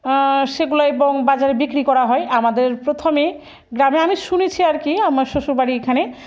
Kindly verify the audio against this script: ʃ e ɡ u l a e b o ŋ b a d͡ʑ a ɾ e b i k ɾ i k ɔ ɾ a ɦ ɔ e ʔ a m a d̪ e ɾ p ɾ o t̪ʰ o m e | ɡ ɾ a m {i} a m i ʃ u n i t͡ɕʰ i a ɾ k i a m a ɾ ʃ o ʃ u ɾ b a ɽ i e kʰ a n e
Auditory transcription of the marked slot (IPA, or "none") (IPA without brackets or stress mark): e